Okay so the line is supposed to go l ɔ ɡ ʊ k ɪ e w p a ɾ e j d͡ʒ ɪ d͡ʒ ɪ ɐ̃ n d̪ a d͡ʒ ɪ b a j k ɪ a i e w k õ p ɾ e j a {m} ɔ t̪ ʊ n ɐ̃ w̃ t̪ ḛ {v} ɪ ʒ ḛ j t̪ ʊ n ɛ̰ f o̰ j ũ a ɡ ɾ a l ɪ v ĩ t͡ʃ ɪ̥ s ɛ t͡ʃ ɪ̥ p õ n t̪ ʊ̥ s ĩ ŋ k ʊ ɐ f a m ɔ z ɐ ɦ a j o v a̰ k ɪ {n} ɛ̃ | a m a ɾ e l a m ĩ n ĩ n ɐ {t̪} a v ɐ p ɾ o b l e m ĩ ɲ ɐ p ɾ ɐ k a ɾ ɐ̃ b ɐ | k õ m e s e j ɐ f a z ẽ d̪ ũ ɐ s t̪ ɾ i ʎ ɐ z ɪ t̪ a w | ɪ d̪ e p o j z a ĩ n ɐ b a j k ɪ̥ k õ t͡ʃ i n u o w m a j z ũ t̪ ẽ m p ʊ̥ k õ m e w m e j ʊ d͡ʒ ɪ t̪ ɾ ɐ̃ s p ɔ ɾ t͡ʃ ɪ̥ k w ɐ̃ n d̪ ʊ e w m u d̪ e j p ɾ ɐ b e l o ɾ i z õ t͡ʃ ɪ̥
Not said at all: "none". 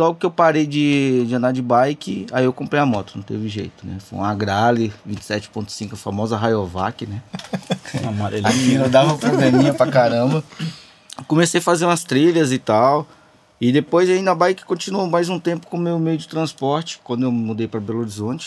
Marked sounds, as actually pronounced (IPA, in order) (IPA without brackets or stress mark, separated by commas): m, v, n, d̪